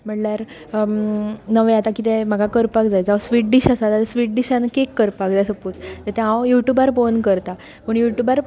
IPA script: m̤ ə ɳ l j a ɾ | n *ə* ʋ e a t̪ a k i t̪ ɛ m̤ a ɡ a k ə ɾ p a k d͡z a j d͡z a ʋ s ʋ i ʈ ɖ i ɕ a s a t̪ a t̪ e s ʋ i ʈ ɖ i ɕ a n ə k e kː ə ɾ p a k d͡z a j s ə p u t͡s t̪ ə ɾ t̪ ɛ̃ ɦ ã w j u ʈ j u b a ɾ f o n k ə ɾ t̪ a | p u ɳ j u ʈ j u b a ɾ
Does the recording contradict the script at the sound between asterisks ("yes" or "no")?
no